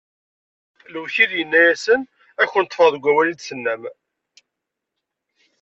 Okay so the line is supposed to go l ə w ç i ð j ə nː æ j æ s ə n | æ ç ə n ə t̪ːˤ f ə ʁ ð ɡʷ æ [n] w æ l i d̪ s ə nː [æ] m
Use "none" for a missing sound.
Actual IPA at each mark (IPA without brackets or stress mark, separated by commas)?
none, æ